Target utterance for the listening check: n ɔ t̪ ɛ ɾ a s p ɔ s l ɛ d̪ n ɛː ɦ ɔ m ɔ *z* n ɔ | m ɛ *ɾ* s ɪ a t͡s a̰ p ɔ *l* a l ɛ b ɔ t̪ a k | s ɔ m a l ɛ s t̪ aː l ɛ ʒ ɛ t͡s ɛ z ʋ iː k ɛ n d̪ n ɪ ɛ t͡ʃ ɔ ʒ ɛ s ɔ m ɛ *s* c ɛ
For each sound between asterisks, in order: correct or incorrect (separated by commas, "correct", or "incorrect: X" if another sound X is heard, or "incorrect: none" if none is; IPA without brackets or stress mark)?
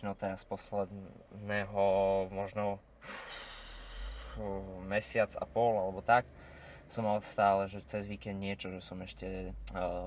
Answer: incorrect: ʒ, incorrect: none, correct, incorrect: ʃ